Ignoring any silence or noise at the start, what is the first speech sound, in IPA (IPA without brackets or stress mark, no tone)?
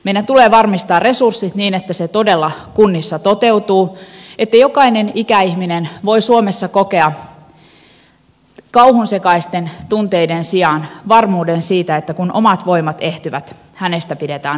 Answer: m